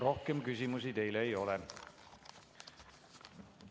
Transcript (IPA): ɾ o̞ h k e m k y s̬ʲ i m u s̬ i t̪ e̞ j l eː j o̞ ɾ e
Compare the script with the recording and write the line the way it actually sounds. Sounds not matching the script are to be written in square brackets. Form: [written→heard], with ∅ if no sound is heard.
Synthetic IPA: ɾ o̞ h k e m k y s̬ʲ i m u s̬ i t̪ e̞ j l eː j o̞ [ɾ→l] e